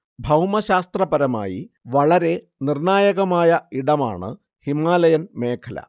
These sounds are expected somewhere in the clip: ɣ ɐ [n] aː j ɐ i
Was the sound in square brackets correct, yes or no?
no